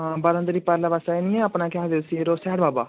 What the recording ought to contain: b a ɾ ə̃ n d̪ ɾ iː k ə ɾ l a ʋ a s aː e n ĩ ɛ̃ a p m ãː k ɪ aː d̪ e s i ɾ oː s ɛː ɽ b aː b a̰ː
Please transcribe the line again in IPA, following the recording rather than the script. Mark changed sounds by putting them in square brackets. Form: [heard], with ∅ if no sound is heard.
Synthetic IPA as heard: b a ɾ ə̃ n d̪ ɾ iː [p] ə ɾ l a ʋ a s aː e n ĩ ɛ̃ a p [n] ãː k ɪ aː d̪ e s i ɾ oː s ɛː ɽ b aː b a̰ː